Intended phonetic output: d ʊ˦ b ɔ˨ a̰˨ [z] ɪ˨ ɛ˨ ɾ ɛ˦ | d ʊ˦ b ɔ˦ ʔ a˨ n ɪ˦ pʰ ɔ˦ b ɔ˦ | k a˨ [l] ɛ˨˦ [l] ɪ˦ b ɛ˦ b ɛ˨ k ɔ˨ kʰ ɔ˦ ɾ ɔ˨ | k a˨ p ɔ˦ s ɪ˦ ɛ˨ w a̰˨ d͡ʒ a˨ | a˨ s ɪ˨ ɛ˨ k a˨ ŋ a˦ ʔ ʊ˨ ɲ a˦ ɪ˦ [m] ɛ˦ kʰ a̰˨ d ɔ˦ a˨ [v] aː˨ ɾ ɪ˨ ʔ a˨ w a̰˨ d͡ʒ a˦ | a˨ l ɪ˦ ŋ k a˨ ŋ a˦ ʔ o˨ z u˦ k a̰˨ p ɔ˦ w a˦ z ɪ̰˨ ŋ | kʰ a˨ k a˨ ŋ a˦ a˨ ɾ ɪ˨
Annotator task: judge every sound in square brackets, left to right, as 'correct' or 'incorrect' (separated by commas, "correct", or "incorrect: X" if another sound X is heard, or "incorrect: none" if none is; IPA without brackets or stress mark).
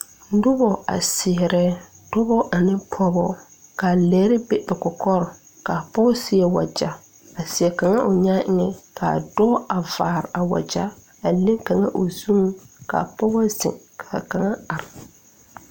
incorrect: s, correct, incorrect: ɾ, incorrect: ŋ, correct